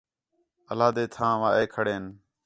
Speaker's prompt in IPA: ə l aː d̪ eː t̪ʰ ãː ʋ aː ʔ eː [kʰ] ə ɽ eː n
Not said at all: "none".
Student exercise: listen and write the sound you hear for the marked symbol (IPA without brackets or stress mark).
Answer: kʰ